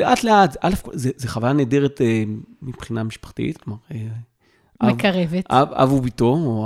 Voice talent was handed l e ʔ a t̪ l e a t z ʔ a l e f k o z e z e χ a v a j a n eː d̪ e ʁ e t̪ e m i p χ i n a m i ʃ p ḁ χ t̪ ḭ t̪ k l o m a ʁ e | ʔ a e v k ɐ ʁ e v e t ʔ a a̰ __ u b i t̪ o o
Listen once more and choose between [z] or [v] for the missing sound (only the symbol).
v